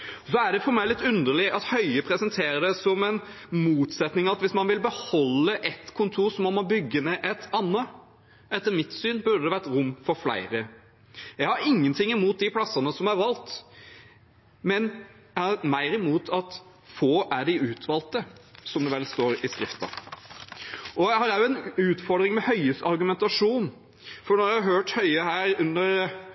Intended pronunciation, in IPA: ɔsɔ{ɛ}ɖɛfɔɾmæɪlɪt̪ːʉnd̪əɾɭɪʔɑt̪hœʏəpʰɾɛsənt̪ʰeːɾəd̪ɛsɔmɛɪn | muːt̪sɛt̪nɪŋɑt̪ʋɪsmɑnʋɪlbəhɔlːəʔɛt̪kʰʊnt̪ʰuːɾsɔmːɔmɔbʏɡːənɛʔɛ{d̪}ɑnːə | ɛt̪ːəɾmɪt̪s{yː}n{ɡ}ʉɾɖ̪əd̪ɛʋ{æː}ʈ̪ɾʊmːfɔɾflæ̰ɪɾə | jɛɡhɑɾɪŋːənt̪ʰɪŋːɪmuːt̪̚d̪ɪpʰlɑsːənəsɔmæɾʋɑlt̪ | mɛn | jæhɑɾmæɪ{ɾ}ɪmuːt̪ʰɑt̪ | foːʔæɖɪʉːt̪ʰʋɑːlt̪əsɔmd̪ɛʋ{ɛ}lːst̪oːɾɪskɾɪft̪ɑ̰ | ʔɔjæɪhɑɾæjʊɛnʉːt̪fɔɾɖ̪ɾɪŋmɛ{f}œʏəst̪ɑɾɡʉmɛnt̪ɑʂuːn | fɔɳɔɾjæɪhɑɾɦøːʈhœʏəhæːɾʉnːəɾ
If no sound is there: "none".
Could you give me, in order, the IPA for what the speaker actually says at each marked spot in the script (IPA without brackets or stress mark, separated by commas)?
æ, t̪, yː, b, æ, ɾ, ɛ, h